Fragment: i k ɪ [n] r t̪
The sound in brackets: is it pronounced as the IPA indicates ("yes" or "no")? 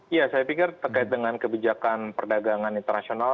no